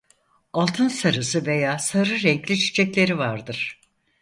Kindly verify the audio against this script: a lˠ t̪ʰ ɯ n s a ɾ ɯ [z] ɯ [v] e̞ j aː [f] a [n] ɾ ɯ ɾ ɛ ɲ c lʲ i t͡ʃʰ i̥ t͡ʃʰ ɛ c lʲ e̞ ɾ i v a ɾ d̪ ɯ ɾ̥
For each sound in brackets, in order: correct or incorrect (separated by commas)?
incorrect, correct, incorrect, incorrect